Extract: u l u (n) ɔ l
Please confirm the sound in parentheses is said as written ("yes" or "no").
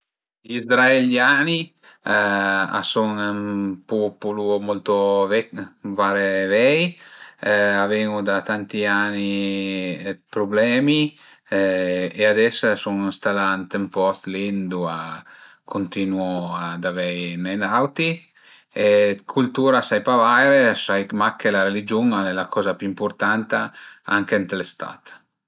no